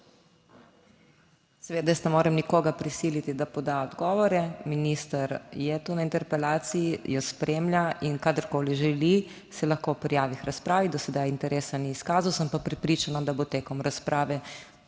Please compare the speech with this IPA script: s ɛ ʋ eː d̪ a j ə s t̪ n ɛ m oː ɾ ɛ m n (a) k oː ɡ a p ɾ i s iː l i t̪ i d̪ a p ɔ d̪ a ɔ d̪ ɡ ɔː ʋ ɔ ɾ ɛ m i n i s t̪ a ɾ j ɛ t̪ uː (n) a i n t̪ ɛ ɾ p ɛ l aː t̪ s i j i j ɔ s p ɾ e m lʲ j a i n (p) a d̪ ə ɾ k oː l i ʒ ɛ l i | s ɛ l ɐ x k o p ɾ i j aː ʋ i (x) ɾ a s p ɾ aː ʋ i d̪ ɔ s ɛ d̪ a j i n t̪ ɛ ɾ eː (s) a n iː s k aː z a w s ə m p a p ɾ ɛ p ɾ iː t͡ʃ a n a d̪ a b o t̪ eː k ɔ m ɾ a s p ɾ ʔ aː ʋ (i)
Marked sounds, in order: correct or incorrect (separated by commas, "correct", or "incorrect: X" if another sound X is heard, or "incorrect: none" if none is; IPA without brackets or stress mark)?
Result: incorrect: i, correct, incorrect: k, correct, correct, incorrect: ɛ